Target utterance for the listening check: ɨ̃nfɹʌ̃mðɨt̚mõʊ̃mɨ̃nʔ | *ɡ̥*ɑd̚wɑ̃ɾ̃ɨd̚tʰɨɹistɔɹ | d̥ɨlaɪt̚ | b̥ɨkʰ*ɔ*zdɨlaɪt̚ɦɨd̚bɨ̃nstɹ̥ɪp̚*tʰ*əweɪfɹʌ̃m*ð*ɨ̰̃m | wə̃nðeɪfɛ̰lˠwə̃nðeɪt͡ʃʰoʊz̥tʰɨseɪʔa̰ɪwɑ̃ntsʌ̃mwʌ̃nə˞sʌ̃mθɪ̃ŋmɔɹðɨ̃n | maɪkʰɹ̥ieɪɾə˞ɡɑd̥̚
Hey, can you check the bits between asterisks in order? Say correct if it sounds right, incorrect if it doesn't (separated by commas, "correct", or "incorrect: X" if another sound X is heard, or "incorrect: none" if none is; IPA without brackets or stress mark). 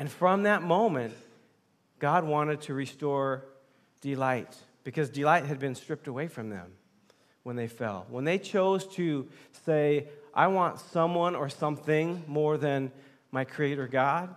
correct, incorrect: ʌ, incorrect: t, correct